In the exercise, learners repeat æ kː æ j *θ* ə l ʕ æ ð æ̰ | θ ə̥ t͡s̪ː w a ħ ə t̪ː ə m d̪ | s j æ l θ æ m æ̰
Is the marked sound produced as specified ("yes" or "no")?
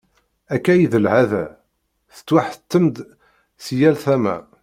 no